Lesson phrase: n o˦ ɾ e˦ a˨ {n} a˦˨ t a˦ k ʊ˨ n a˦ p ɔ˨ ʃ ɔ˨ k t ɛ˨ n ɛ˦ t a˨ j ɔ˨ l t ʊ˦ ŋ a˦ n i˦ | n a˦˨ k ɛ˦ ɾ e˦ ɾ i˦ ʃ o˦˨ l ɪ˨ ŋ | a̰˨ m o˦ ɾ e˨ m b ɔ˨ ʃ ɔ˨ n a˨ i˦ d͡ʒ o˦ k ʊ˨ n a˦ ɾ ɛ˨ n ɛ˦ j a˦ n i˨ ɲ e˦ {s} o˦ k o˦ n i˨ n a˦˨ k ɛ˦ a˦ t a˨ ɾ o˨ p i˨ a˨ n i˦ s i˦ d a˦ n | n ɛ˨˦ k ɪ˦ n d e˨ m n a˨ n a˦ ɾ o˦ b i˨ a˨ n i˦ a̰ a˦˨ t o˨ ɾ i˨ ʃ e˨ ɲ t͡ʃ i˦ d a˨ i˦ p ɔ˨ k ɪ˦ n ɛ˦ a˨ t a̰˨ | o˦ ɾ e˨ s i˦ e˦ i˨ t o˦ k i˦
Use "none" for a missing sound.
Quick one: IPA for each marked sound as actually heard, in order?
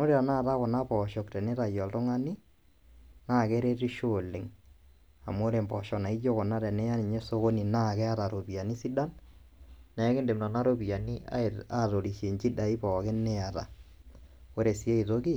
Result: n, s

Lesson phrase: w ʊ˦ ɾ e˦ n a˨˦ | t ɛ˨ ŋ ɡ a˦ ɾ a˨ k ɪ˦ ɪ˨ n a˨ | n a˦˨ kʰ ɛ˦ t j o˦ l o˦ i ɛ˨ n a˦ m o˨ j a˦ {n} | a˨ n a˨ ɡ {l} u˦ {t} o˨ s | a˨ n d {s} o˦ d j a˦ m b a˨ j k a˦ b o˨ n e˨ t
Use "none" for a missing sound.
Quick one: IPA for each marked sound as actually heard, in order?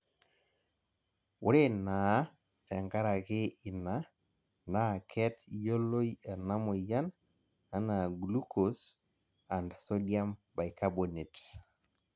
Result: n, l, k, s

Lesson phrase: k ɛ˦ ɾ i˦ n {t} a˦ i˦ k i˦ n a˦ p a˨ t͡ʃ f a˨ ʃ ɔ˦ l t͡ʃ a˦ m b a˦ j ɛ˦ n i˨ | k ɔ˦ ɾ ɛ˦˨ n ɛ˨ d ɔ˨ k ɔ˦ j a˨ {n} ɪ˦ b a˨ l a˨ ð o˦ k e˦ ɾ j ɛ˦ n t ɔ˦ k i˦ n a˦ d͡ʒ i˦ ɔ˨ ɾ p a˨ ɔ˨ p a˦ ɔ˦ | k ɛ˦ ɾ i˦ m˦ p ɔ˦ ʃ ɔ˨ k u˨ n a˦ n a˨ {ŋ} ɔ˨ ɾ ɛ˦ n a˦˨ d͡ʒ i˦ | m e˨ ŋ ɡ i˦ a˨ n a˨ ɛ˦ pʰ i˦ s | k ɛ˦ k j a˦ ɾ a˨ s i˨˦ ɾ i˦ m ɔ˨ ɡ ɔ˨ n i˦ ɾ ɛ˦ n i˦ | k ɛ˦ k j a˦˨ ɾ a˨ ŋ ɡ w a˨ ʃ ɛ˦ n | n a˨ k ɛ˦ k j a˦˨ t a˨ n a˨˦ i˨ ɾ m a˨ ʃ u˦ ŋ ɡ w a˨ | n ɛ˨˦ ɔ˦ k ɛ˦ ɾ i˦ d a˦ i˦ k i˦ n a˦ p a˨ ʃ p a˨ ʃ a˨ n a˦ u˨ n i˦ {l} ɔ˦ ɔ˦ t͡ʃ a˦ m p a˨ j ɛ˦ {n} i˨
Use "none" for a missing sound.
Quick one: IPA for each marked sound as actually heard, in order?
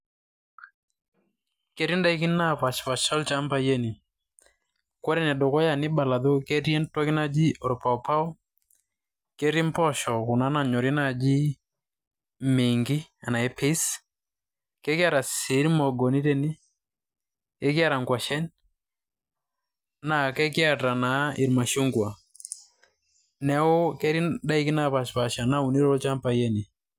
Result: d, n, ɲ, ɾ, n

